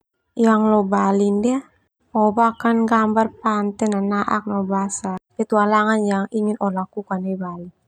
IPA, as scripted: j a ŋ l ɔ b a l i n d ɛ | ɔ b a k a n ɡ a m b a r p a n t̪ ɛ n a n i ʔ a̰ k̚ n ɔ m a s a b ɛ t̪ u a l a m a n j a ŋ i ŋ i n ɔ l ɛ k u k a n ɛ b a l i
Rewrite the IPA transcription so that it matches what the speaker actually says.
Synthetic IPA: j a ŋ l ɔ b a l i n d ɛ | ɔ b a k a n ɡ a m b a r p a n t̪ ɛ n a n a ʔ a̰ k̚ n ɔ b a s a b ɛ t̪ u a l a ŋ a n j a ŋ i ŋ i n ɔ l a k u k a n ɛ b a l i